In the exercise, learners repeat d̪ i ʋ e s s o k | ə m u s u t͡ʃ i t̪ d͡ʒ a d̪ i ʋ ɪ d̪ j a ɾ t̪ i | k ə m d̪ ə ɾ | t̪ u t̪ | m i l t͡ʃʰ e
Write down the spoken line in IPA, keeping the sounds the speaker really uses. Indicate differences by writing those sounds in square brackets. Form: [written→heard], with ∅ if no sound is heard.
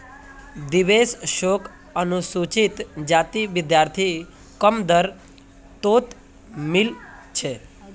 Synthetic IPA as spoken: d̪ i ʋ e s [s→ʃ] o k | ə [m→n] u s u t͡ʃ i t̪ d͡ʒ a [d̪→t̪] i ʋ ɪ d̪ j a ɾ [t̪→t̪ʰ] i | k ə m d̪ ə ɾ | t̪ [u→o] t̪ | m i l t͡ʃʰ e